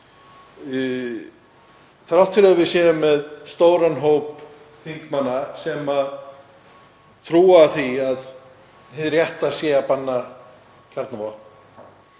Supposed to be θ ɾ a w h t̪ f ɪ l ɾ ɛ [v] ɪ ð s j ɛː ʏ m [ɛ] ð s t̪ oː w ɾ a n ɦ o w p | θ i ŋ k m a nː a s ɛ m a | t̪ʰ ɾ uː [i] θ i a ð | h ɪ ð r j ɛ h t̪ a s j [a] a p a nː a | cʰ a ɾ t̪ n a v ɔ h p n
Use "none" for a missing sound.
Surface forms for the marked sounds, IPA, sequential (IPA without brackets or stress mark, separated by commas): v, ɛ, a, ɛ